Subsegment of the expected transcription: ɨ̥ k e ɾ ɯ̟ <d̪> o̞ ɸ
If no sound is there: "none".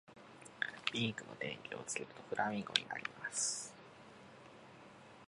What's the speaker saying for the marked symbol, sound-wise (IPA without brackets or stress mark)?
t̪